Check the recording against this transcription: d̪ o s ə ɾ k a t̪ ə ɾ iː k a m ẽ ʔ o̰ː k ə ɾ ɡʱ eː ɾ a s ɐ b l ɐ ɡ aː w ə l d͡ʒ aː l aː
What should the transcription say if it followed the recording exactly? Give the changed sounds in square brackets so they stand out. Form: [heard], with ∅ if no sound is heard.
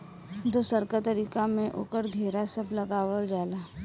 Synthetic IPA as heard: d̪ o s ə ɾ k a t̪ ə ɾ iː k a m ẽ ʔ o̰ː k ə ɾ ɡʱ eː ɾ a s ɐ b l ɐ ɡ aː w ə l d͡ʒ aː l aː